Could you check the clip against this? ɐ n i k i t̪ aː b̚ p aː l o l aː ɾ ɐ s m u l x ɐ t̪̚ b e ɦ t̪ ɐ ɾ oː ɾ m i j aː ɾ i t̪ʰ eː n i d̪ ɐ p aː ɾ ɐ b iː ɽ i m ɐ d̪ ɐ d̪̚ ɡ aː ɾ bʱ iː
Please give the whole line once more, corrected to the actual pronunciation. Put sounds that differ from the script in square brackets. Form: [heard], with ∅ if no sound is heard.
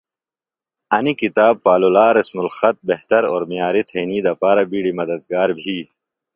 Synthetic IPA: ɐ n i k i t̪ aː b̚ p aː l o l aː ɾ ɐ s m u l x ɐ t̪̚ b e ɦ t̪ ɐ ɾ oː ɾ m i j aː ɾ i t̪ʰ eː n i d̪ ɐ p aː ɾ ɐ b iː ɽ i m ɐ d̪ ɐ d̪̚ ɡ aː ɾ bʱ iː